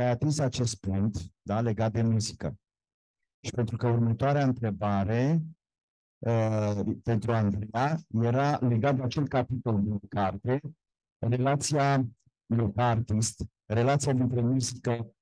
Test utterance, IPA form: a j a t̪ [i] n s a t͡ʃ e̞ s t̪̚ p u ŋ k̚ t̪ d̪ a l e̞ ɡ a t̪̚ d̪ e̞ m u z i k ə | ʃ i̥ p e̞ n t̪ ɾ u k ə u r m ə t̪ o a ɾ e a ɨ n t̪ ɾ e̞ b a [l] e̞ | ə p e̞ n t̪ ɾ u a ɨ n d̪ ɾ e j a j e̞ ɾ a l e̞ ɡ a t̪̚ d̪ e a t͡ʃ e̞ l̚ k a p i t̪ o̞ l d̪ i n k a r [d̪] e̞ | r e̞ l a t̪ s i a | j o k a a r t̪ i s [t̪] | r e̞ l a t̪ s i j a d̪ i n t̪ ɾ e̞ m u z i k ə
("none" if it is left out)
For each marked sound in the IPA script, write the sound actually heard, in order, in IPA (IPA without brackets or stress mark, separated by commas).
i, ɾ, t̪, t̪